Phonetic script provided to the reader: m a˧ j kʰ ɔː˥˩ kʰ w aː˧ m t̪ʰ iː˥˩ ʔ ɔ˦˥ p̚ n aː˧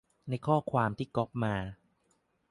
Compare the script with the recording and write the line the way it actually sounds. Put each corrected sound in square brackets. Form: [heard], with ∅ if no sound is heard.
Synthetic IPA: [n] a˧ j kʰ ɔː˥˩ kʰ w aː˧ m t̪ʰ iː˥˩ [k] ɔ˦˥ p̚ [m] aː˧

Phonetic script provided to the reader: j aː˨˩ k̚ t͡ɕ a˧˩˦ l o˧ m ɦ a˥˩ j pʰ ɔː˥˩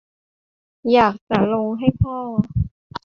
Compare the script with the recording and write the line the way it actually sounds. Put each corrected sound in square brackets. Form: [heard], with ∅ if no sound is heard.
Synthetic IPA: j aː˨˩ k̚ t͡ɕ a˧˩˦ l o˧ [ŋ] ɦ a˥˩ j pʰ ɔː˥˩

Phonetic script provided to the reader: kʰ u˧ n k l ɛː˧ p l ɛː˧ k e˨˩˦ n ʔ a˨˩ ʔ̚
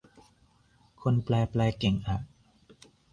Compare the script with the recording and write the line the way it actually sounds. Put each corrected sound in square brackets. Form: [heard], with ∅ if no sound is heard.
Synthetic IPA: kʰ [o˧] n [p] l ɛː˧ p l ɛː˧ k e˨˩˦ [ŋ] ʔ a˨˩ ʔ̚

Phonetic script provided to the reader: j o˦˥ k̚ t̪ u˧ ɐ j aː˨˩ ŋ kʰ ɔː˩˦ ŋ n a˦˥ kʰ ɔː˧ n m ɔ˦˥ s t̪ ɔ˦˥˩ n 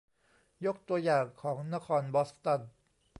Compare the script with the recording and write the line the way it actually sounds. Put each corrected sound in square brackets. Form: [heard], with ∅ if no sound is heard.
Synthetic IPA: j o˦˥ k̚ t̪ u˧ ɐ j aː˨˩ ŋ kʰ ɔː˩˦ ŋ n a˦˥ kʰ ɔː˧ n [b] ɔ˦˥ s t̪ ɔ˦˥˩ n

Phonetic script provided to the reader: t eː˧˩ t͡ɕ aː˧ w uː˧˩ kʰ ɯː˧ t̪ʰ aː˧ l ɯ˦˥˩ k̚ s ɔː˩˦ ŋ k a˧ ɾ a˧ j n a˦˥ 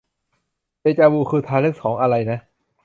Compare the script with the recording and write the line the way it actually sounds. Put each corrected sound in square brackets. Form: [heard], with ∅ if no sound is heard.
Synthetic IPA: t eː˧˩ t͡ɕ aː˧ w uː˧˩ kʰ ɯː˧ t̪ʰ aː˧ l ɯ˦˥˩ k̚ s ɔː˩˦ ŋ [ʔ] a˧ ɾ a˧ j n a˦˥

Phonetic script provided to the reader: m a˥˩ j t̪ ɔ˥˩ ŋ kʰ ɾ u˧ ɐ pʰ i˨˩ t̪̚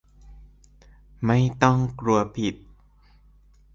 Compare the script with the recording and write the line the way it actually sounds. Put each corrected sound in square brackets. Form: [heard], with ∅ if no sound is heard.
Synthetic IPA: m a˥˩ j t̪ ɔ˥˩ ŋ [k] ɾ u˧ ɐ pʰ i˨˩ t̪̚

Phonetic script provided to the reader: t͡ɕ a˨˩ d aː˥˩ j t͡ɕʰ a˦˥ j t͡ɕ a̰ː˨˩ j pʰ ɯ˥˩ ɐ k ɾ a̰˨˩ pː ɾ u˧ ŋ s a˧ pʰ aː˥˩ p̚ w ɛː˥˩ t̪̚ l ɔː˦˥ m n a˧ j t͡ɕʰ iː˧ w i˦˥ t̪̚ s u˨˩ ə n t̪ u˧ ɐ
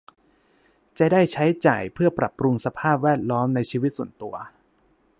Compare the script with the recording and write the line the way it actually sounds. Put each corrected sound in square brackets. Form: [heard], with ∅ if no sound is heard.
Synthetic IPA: t͡ɕ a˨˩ d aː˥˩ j t͡ɕʰ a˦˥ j t͡ɕ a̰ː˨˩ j pʰ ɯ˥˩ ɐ [p] ɾ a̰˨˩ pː ɾ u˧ ŋ s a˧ pʰ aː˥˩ p̚ w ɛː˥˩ t̪̚ l ɔː˦˥ m n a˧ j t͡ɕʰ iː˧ w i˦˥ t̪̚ s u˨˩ ə n t̪ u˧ ɐ

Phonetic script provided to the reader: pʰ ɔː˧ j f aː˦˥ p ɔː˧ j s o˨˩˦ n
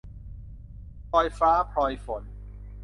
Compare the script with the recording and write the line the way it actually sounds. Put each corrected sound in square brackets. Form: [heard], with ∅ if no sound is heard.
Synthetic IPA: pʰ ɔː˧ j f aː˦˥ [pʰ] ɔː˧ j [f] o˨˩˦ n

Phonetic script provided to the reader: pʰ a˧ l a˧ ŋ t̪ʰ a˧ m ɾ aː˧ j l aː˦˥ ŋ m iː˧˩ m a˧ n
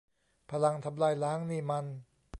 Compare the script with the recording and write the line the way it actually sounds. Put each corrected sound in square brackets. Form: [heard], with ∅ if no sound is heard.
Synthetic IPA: pʰ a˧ l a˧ ŋ t̪ʰ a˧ m [l] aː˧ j l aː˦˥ ŋ [n] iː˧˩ m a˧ n

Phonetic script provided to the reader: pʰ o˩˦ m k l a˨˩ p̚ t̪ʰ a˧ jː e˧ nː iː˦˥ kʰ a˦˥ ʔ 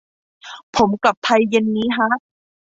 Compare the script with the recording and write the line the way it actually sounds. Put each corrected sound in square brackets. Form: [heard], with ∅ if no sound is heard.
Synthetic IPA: pʰ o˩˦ m k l a˨˩ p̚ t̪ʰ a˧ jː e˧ nː iː˦˥ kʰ a˦˥ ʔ

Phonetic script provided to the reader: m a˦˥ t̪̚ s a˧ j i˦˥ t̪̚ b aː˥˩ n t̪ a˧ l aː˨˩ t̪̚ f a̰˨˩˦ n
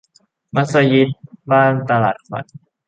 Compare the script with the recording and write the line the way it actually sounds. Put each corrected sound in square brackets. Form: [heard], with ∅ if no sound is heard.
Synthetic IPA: m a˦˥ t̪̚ s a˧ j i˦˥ t̪̚ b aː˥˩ n t̪ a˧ l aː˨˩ t̪̚ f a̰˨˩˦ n

